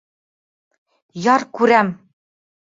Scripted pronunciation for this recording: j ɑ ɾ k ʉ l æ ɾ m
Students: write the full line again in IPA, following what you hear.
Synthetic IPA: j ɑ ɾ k ʉ ɾ æ m